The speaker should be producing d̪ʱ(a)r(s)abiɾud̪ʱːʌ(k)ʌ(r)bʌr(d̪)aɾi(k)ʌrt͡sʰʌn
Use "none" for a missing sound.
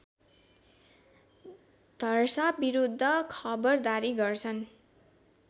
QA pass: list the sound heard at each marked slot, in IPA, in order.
ʌ, s, kʰ, none, d̪, ɡ

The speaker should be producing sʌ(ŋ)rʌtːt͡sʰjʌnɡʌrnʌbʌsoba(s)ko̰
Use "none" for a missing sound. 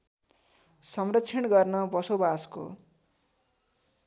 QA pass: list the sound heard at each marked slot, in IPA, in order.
m, s

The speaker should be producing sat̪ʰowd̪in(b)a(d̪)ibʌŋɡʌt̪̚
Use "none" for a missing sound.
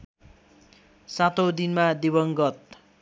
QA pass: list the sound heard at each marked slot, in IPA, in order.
m, d̪

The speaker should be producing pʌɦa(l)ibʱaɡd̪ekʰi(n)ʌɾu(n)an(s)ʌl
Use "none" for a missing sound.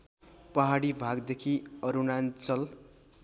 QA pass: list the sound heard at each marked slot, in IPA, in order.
ɽ, none, n, t͡s

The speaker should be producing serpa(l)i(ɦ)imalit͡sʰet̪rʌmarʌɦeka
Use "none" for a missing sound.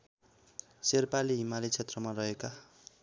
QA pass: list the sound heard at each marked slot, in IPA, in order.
l, ɦ

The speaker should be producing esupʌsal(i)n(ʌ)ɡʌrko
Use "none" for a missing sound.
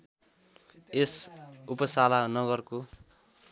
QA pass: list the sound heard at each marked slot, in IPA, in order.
a, ʌ

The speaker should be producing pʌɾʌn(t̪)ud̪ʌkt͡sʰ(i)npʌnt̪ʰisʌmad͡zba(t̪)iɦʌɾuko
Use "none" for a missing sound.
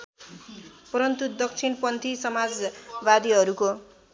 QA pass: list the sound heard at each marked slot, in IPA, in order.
t̪, i, d̪

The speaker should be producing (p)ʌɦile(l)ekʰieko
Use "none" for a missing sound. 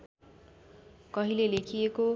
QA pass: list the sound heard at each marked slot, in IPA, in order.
k, l

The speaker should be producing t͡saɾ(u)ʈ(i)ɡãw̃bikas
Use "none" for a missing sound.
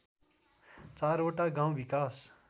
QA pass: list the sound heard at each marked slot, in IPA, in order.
o, a

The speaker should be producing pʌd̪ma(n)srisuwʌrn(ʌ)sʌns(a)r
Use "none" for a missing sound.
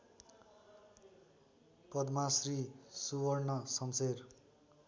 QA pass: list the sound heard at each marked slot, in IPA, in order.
none, ʌ, e

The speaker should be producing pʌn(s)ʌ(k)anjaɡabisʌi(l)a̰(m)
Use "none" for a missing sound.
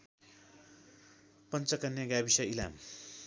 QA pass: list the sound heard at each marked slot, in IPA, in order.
t͡s, k, l, m

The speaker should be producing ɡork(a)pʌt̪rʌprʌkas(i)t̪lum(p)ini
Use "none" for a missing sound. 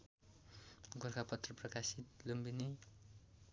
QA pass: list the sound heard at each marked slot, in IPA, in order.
a, i, b

